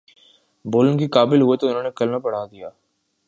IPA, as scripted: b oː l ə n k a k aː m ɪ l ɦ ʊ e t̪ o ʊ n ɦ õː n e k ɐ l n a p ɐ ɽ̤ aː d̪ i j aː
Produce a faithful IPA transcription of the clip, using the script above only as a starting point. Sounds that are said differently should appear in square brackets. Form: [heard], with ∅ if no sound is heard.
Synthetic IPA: b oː l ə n k [i] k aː [b] ɪ l ɦ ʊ e t̪ o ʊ n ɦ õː n e k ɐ l n a p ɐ ɽ̤ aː d̪ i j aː